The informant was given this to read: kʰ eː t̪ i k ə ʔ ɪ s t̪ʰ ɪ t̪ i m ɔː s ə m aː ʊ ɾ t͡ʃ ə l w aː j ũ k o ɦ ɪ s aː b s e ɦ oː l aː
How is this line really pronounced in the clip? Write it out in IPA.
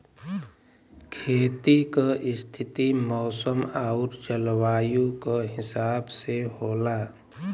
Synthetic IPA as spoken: kʰ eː t̪ i k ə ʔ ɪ s t̪ʰ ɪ t̪ i m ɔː s ə m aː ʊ ɾ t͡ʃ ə l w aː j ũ k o ɦ ɪ s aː b s e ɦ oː l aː